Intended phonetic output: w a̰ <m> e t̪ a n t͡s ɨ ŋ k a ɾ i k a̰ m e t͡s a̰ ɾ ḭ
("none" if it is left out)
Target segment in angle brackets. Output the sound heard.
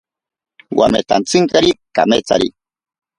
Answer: m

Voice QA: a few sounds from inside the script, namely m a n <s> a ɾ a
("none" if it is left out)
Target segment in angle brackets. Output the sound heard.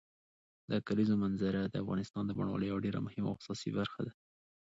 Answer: z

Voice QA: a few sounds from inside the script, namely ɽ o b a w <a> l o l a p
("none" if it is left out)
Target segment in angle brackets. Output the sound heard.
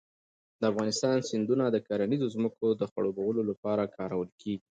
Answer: ə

